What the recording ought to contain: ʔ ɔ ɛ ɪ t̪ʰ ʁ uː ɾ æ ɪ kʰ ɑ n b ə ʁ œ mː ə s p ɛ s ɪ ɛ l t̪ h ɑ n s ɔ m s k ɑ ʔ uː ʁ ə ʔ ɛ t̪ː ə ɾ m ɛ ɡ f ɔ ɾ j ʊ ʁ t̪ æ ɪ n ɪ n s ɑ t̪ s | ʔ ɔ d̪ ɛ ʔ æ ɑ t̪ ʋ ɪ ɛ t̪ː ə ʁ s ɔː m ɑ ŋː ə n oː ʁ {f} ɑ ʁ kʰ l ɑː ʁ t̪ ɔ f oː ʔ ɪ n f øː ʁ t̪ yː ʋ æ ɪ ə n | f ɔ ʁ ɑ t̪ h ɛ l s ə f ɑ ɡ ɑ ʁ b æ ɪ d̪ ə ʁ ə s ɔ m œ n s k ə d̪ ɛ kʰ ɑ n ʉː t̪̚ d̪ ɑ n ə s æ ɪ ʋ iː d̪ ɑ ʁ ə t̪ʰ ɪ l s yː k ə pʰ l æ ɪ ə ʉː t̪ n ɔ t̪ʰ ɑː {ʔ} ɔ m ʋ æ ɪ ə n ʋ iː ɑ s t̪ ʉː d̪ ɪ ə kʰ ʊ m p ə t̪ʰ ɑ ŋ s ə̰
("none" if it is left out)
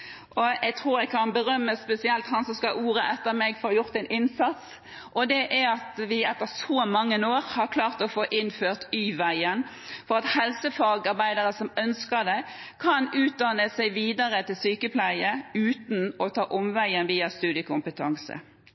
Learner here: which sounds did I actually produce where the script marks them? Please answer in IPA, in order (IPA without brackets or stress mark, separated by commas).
h, ʔ